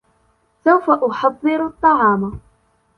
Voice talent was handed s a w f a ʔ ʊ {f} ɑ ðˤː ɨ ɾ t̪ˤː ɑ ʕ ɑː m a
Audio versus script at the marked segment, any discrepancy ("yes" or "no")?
yes